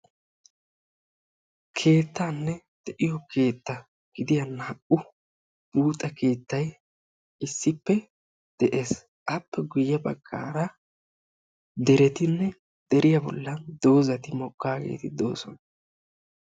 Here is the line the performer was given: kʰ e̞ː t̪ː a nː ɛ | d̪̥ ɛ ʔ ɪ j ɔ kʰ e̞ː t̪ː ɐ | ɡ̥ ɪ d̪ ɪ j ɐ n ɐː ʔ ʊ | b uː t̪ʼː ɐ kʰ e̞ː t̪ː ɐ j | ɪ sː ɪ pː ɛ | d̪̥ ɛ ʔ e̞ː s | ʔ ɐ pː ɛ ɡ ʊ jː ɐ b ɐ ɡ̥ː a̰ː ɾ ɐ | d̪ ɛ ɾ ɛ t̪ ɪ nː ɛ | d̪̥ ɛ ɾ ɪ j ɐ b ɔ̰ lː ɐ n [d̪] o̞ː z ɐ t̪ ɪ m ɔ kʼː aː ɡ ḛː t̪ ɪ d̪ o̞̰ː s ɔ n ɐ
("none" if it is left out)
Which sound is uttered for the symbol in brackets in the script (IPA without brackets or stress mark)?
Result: d̪